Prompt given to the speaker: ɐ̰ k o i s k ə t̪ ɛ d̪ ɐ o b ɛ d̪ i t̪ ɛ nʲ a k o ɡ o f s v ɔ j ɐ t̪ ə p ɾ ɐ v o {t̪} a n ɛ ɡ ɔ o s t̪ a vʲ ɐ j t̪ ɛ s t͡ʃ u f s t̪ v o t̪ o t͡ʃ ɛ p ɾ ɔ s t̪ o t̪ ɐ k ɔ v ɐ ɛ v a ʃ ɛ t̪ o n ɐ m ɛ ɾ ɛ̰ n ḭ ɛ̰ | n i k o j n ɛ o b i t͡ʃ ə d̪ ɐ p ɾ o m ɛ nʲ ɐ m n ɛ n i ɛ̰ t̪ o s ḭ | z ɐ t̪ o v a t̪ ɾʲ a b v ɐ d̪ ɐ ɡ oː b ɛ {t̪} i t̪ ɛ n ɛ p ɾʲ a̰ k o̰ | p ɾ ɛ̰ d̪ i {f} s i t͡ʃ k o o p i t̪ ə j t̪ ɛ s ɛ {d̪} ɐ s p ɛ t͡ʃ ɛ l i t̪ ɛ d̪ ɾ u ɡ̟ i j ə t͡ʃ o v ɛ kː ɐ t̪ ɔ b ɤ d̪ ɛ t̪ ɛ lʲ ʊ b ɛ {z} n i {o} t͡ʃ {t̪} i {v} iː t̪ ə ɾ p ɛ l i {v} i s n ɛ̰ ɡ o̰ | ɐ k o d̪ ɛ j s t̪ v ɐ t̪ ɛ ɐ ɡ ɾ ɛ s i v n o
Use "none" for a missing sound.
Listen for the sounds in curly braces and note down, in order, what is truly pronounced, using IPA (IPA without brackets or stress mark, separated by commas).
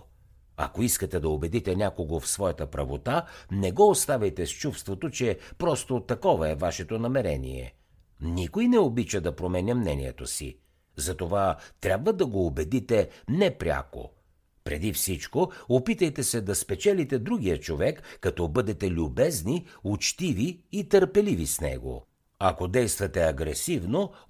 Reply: t̪, d̪, f, d̪, z, u, t̪, v, v